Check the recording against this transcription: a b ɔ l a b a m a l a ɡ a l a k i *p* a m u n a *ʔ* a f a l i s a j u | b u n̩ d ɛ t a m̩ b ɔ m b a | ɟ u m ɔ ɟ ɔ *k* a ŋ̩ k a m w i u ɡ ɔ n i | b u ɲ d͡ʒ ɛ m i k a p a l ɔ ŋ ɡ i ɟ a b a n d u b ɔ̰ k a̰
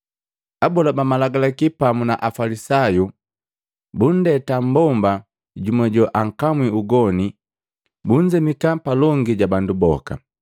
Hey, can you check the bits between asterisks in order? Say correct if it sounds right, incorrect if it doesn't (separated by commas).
correct, correct, incorrect